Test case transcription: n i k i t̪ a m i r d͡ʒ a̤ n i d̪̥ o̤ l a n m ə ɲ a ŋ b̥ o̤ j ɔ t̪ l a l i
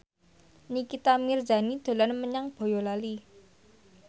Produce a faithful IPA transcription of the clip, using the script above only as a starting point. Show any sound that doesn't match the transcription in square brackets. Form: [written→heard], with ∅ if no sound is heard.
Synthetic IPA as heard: n i k i t̪ a m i r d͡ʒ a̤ n i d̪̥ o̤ l a n m ə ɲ a ŋ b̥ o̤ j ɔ [t̪→∅] l a l i